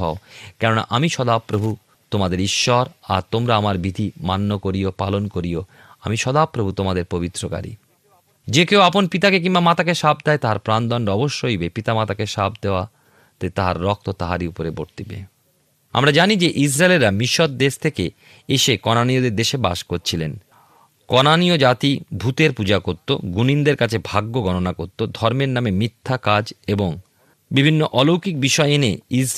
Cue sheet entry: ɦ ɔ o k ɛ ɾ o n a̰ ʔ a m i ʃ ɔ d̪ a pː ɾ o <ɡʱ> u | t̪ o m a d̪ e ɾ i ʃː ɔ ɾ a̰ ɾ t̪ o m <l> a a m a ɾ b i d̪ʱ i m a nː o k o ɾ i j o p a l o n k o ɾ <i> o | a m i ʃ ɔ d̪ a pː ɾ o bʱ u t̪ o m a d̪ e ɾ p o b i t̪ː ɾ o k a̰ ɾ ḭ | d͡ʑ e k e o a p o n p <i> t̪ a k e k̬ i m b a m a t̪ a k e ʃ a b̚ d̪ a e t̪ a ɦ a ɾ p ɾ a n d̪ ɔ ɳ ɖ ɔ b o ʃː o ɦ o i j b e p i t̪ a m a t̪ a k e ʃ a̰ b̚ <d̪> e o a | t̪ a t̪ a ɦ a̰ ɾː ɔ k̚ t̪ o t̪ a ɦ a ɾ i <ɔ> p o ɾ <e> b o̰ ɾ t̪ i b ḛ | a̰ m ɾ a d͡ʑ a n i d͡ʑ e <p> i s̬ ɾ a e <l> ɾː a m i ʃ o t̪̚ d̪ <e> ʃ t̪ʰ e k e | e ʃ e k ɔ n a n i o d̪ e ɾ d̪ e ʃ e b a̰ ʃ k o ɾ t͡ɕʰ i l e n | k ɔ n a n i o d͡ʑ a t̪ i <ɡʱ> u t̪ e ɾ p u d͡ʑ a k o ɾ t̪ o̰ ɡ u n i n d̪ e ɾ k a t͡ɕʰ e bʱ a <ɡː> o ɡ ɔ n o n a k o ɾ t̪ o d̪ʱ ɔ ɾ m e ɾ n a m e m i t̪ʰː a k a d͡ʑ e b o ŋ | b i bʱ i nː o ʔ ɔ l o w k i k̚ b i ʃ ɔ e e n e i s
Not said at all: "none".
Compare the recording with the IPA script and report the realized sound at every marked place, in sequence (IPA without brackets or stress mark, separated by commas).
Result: bʱ, ɾ, i, i, d̪, u, e, ʔ, l, e, bʱ, ɡː